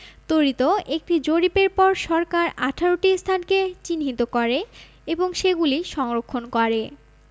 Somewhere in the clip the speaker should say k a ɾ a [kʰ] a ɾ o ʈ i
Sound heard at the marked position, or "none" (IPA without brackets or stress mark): ʈʰ